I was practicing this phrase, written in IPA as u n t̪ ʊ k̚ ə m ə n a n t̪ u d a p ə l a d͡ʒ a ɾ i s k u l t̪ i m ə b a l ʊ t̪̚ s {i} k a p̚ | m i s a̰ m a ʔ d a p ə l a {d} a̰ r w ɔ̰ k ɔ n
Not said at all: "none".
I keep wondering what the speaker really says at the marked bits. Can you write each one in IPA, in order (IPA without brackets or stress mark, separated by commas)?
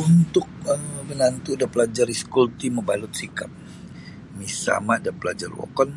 i, d͡ʒ